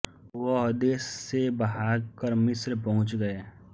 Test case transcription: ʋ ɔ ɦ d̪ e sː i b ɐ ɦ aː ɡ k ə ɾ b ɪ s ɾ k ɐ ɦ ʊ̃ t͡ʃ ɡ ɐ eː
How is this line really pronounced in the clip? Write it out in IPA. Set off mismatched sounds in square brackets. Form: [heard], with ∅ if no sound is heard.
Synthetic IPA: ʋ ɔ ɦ d̪ e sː [e] b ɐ ɦ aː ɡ k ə ɾ [m] ɪ s ɾ [p] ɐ ɦ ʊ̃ t͡ʃ ɡ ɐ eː